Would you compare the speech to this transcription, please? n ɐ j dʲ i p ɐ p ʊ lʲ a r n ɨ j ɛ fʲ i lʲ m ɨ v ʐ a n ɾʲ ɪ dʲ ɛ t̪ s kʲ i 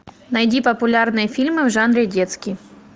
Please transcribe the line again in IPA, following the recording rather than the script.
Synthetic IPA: n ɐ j dʲ i p ɐ p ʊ lʲ a r n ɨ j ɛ fʲ i lʲ m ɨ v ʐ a n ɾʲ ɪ dʲ ɛ t̪ s kʲ i